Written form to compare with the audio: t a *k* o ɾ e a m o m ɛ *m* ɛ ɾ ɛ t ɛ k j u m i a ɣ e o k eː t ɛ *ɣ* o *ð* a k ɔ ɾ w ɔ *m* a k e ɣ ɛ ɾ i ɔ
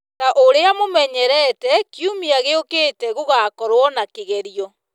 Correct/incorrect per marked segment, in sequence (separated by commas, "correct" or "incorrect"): incorrect, incorrect, correct, incorrect, incorrect